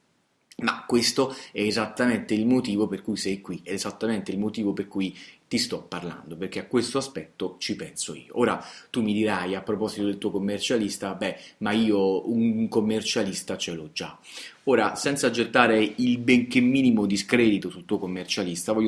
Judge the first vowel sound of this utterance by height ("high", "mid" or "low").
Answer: low